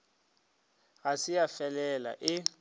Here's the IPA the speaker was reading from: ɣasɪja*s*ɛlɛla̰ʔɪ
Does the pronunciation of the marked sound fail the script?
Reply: yes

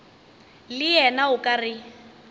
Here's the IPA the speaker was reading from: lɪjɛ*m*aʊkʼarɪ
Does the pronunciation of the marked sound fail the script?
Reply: yes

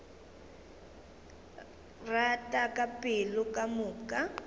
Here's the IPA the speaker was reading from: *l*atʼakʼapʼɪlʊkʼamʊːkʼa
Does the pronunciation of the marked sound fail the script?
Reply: yes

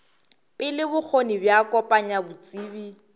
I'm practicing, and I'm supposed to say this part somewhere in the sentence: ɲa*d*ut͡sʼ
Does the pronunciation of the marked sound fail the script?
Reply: yes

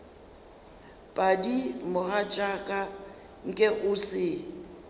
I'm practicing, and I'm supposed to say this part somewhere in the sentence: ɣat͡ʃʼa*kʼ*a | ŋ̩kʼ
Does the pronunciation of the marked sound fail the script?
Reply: no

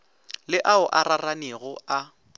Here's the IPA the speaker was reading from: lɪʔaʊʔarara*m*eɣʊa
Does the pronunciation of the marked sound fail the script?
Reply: yes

